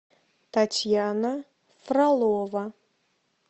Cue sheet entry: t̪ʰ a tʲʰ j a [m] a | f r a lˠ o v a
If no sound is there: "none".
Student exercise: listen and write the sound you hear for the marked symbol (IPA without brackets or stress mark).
n